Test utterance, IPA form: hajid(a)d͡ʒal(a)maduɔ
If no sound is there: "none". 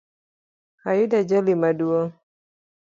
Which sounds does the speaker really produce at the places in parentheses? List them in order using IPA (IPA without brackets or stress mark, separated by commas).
a, i